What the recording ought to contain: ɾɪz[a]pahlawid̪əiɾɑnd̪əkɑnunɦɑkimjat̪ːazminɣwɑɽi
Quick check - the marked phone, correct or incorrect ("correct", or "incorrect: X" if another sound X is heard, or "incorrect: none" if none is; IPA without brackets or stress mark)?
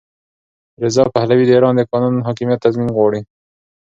incorrect: ɑ